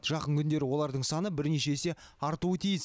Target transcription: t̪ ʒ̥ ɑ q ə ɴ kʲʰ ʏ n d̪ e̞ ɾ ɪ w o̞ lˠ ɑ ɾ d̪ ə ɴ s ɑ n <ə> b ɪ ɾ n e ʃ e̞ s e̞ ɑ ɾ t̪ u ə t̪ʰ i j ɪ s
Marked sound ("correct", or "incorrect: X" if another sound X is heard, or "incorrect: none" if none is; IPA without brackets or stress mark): correct